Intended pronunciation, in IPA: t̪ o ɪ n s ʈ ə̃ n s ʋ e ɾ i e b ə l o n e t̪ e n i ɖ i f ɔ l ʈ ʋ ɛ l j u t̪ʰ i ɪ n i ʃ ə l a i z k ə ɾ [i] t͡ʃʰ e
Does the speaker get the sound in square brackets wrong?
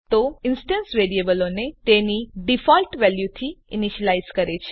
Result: yes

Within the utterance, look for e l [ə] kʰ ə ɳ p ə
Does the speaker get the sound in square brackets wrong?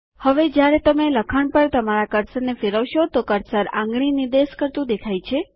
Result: no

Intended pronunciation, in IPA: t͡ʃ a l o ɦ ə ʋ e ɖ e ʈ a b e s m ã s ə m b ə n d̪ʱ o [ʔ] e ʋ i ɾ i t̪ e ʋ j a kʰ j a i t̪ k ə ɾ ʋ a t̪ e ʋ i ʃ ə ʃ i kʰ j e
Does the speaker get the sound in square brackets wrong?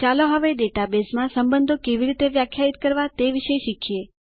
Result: yes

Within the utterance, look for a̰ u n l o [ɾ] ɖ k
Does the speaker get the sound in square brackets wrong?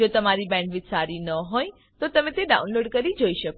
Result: yes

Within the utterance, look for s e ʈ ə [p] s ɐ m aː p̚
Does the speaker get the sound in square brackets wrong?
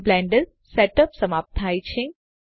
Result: no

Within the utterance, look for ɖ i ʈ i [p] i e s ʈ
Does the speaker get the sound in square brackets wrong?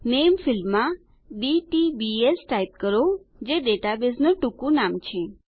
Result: yes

